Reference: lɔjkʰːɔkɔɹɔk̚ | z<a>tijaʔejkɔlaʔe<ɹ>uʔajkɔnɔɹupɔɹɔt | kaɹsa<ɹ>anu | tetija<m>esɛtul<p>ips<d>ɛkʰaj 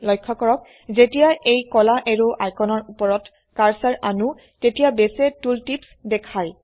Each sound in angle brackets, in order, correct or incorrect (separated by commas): incorrect, correct, correct, incorrect, incorrect, correct